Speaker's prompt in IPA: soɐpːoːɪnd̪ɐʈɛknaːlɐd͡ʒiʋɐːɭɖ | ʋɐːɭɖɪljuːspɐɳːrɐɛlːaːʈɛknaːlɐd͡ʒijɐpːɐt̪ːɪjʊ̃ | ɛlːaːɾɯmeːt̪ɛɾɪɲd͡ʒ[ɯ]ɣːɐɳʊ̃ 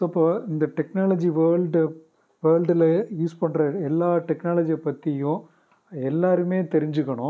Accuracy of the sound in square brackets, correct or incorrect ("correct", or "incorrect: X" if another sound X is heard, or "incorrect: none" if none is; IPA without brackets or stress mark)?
correct